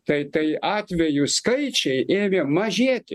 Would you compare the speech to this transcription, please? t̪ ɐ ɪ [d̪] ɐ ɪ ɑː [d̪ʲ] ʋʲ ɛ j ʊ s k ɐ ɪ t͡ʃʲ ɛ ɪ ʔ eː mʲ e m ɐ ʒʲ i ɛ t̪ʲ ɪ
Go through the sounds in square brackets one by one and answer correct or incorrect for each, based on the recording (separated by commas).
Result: incorrect, incorrect